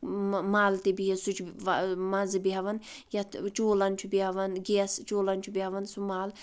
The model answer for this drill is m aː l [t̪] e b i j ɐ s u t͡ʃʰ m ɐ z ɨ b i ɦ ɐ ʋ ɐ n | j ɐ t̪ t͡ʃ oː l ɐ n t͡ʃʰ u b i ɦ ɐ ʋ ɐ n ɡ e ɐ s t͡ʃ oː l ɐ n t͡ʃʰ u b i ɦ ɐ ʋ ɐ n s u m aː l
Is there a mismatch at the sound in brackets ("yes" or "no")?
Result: no